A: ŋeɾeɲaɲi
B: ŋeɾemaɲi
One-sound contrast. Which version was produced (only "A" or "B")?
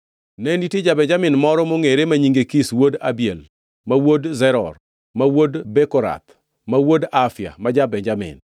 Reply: B